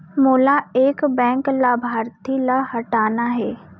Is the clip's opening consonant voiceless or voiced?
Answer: voiced